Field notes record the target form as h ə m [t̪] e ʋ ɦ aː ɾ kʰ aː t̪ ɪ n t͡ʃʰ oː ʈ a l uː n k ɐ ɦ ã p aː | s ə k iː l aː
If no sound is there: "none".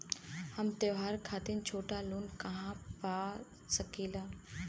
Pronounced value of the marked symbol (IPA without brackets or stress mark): t̪